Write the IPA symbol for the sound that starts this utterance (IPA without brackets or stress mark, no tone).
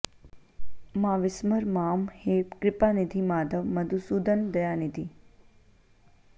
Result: m